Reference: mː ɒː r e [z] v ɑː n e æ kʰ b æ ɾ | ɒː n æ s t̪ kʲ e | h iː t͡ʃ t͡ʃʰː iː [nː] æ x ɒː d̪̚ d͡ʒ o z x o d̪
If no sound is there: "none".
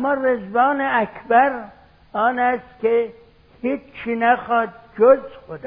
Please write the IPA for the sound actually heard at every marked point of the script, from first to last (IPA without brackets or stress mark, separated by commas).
z, n